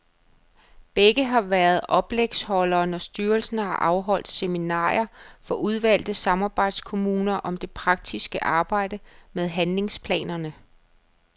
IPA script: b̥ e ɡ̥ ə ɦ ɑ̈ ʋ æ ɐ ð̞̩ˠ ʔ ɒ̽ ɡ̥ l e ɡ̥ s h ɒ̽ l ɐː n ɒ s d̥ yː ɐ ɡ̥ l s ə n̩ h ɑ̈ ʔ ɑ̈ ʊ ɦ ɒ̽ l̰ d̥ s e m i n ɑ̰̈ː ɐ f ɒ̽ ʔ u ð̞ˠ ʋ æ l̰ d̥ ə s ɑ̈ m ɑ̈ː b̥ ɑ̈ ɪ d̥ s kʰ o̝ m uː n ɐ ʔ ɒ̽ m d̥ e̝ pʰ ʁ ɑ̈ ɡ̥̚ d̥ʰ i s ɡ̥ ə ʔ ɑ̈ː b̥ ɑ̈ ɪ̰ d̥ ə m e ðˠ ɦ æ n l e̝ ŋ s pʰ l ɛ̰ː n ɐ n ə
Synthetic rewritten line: b̥ e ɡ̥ ə ɦ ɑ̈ ʋ æ ɐ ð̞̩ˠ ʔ ɒ̽ b̥ l e ɡ̥ s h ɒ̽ l ɐː n ɒ s d̥ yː ɐ l s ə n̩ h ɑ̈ ʔ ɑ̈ ʊ ɦ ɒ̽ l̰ d̥ s e m i n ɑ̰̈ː ɐ f ɒ̽ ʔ u ð̞ˠ ʋ æ l̰ d̥ ə s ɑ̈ m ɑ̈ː b̥ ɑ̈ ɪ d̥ s kʰ o̝ m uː n ɐ ʔ ɒ̽ m d̥ e̝ pʰ ʁ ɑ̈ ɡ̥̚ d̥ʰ i s ɡ̥ ə ʔ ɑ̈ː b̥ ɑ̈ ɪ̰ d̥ ə m e ðˠ ɦ æ n l e̝ ŋ s pʰ l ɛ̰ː n ɐ n ə